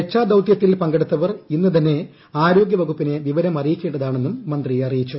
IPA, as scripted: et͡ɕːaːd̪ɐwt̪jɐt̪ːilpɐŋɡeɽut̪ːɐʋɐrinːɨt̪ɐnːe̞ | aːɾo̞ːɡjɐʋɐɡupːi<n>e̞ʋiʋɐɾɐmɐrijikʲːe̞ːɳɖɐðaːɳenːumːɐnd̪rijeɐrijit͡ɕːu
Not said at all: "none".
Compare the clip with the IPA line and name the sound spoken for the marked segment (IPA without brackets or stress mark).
n